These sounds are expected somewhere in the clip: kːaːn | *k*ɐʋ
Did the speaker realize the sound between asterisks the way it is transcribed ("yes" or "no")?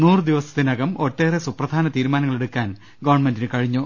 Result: no